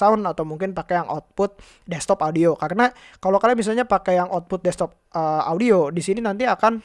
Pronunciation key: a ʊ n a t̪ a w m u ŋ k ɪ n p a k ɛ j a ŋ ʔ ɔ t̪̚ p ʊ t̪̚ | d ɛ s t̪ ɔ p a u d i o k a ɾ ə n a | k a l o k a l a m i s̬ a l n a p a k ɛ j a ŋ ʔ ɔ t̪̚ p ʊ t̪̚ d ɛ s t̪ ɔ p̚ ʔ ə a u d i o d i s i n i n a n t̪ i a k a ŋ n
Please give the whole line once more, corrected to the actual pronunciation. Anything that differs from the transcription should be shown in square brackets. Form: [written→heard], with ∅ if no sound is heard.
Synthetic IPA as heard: a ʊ n a t̪ a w m u ŋ k ɪ n p a k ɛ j a ŋ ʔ ɔ t̪̚ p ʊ t̪̚ | d ɛ s t̪ ɔ p a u d i o k a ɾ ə n a | k a l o k a l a m i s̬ a l [n→ɲ] a p a k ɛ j a ŋ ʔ ɔ t̪̚ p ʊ t̪̚ d ɛ s t̪ ɔ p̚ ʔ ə a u d i o d i s i n i n a n t̪ i a k a [ŋ→∅] n